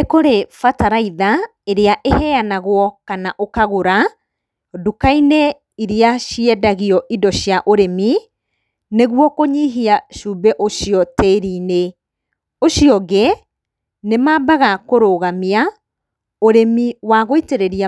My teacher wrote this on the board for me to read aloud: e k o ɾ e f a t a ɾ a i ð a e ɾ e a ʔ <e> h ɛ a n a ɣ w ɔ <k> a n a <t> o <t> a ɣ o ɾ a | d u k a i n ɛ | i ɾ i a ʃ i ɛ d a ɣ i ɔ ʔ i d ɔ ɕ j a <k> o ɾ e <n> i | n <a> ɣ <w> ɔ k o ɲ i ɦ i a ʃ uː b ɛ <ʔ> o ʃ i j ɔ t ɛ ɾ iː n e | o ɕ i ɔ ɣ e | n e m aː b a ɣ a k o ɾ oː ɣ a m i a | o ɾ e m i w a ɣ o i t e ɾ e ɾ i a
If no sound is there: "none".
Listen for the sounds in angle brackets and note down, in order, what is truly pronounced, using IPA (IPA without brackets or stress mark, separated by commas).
e, k, ʔ, k, ʔ, m, e, w, ʔ